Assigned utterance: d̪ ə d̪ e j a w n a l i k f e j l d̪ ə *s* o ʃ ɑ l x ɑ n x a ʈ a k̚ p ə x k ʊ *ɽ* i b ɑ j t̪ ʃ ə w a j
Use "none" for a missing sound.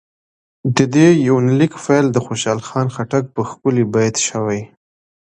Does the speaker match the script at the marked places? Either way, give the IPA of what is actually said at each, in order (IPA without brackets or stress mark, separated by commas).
x, l